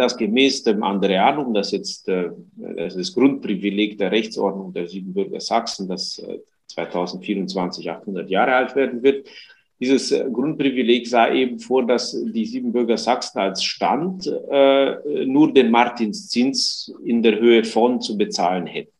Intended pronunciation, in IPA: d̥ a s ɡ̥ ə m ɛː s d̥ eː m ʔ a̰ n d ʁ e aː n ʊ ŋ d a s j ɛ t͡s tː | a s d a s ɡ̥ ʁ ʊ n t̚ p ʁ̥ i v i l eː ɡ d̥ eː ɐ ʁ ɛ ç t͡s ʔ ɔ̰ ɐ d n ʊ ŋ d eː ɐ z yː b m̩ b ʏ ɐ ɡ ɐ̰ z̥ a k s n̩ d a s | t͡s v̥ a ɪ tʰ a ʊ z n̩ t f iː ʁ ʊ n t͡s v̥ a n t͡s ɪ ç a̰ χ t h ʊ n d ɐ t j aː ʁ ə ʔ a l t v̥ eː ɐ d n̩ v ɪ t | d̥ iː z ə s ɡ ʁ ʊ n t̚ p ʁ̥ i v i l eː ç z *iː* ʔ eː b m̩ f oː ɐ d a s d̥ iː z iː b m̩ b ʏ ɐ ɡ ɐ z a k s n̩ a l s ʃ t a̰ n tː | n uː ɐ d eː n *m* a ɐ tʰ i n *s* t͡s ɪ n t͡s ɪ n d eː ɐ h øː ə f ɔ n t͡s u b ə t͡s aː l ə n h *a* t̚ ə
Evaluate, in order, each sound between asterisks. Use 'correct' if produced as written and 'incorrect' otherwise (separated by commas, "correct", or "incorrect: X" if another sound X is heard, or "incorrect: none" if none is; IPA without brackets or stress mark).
incorrect: aː, correct, correct, incorrect: ɛ